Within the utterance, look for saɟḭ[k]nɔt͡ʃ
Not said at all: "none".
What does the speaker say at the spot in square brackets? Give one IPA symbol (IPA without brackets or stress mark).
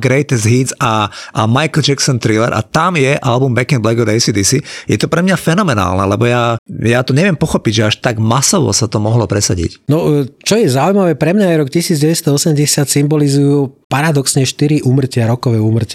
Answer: c